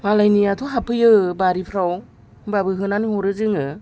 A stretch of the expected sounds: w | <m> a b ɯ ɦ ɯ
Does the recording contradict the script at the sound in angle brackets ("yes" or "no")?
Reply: yes